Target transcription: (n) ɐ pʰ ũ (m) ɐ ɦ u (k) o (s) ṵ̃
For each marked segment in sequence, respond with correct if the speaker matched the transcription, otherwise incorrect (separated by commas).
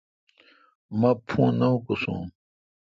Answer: incorrect, incorrect, correct, correct